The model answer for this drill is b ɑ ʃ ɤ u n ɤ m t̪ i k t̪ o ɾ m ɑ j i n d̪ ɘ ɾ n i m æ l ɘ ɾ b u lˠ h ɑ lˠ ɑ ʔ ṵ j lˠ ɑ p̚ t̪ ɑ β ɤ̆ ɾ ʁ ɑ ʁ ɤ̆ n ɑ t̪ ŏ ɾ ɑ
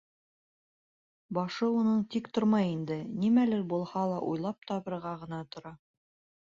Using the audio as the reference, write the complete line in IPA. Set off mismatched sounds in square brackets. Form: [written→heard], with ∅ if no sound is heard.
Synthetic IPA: b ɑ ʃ ɤ u n ɤ [m→ɴ] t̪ i k t̪ o ɾ m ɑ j i n d̪ ɘ [ɾ→∅] n i m æ l ɘ ɾ b u lˠ h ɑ lˠ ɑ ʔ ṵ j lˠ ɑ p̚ t̪ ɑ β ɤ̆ ɾ ʁ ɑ ʁ ɤ̆ n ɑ t̪ ŏ ɾ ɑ